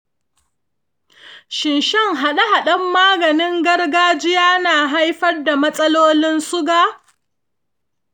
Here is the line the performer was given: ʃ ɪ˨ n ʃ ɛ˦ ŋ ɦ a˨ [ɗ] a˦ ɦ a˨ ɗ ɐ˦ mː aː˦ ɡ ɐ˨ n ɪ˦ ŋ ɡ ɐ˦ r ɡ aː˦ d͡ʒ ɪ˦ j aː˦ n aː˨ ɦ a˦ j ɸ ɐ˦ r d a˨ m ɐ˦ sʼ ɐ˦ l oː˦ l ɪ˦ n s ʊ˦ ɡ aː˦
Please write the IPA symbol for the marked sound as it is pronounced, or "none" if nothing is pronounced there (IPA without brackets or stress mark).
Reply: ɗ